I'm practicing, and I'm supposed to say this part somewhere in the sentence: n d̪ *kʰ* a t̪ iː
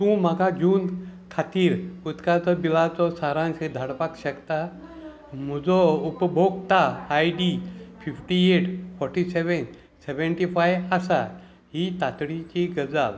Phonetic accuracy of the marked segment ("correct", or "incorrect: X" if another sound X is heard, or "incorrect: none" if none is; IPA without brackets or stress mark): correct